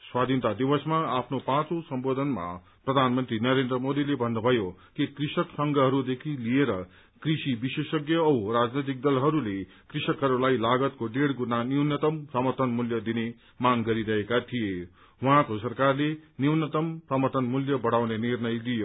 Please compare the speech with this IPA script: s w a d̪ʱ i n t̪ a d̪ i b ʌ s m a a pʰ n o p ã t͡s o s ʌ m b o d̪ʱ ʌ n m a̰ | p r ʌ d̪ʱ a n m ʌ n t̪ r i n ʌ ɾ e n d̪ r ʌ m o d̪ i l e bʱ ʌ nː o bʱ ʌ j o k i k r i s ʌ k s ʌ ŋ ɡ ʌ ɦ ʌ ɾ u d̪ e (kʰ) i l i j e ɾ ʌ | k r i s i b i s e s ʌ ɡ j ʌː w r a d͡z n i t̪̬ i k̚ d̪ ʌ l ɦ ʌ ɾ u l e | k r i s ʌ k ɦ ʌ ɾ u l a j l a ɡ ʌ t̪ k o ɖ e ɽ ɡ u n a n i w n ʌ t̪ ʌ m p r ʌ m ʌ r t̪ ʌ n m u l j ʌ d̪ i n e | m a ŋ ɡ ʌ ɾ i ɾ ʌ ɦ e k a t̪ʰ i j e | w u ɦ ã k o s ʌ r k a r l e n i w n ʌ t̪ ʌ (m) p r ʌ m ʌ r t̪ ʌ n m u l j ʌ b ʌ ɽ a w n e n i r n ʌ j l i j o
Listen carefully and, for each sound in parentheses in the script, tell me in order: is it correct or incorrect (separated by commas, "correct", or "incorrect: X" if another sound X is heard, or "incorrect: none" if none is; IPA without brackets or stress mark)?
correct, correct